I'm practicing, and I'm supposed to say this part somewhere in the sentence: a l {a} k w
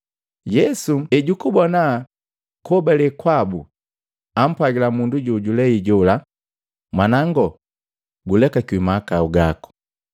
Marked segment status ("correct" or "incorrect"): incorrect